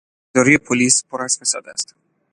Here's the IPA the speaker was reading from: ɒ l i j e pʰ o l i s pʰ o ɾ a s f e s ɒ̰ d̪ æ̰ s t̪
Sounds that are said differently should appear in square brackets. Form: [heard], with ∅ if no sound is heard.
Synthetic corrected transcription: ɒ [ɾ] i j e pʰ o l i s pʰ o ɾ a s f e s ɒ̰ d̪ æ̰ s t̪